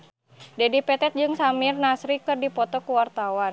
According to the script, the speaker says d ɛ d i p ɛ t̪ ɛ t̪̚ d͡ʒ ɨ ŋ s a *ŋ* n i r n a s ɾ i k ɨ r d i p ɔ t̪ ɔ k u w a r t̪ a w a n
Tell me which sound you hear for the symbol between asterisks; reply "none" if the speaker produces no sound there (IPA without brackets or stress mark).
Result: m